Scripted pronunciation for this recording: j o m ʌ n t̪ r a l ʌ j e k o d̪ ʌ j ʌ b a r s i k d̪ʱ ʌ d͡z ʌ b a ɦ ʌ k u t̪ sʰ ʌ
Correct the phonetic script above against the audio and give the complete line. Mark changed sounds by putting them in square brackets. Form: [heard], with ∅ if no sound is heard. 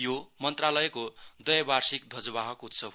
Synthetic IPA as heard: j o m ʌ n t̪ r a l ʌ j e k o d̪ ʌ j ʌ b a r s i k d̪ʱ ʌ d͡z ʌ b a ɦ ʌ k u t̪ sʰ ʌ